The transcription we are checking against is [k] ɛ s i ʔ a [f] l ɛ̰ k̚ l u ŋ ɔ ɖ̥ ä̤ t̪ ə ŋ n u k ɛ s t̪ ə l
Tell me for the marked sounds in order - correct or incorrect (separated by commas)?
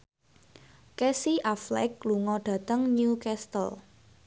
correct, correct